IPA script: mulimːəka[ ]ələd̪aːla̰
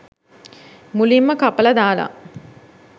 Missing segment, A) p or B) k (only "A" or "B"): A